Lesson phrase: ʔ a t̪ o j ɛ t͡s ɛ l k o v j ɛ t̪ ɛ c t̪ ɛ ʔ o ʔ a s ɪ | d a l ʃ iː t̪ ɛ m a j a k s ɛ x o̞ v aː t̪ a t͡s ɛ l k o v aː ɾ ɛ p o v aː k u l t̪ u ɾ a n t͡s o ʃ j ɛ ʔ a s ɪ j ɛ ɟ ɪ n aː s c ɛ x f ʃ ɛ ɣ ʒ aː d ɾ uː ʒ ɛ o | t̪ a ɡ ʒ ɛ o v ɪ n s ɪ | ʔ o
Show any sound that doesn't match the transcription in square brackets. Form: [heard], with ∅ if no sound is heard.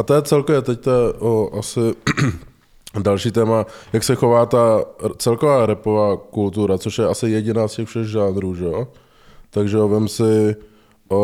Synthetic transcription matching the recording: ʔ a t̪ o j ɛ t͡s ɛ l k o v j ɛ t̪ ɛ c t̪ ɛ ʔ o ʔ a s ɪ | d a l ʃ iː t̪ [ɛː] m a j a k s ɛ x o̞ v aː t̪ a t͡s ɛ l k o v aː ɾ ɛ p o v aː k u l t̪ u ɾ a [∅] t͡s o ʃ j ɛ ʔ a s ɪ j ɛ ɟ ɪ n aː s c ɛ x f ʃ ɛ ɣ ʒ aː [n] ɾ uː ʒ ɛ o | t̪ a ɡ ʒ ɛ o v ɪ [m] s ɪ | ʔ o